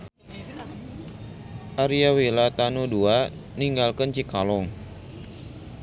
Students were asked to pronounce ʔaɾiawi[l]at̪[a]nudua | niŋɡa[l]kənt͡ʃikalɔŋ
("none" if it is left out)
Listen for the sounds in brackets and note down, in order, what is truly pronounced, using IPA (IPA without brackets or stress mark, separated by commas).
l, a, l